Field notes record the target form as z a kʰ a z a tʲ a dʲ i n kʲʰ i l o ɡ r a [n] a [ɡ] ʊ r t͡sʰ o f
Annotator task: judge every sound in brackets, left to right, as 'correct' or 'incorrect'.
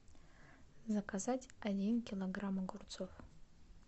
incorrect: m, correct

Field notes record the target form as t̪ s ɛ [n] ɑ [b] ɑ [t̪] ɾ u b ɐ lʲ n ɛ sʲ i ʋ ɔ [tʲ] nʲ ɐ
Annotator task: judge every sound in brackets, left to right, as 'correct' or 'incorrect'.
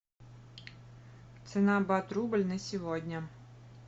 correct, correct, correct, incorrect: dʲ

